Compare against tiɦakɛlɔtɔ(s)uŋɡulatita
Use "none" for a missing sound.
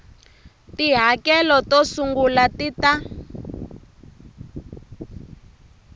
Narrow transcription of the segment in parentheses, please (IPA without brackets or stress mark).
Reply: s